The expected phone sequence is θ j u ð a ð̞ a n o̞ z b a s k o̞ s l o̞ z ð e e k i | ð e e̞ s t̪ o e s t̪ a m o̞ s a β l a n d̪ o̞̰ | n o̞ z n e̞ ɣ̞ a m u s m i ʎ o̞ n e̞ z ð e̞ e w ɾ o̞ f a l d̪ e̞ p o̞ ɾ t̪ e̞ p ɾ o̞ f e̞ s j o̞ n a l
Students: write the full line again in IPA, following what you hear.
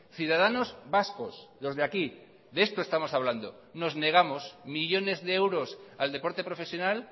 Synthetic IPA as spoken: θ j u ð a ð̞ a n o̞ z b a s k o̞ s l o̞ z ð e a k i | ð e e̞ s t̪ o e s t̪ a m o̞ s a β l a n d̪ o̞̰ | n o̞ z n e̞ ɣ̞ a m o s m i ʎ o̞ n e̞ z ð e̞ e w ɾ o̞ s a l d̪ e̞ p o̞ ɾ t̪ e̞ p ɾ o̞ f e̞ s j o̞ n a l